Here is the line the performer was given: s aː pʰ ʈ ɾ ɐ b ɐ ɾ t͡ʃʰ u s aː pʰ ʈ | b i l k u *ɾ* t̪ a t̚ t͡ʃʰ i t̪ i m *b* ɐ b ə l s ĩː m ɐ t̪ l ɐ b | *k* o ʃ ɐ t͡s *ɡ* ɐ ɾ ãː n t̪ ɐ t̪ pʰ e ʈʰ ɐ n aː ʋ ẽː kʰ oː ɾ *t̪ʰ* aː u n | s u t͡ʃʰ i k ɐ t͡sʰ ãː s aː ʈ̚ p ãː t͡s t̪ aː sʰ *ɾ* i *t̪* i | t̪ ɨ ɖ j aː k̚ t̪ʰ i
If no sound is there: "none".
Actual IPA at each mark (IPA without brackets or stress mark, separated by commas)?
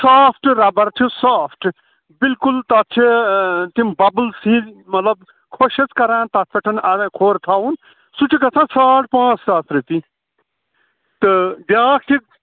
l, b, kʰ, k, t̪ʰ, ɾ, t̪